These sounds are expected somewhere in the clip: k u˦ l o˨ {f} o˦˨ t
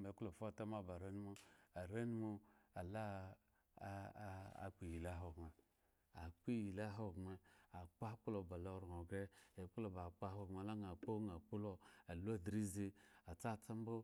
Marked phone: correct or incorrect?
correct